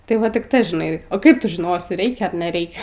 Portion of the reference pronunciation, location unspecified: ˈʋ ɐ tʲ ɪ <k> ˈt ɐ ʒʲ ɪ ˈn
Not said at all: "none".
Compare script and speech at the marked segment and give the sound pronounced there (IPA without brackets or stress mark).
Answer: k